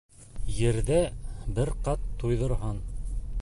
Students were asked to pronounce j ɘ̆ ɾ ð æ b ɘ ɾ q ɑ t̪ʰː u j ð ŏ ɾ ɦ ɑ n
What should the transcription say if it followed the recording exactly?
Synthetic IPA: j ɘ̆ ɾ ð æ b ɘ ɾ q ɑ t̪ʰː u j ð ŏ ɾ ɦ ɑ n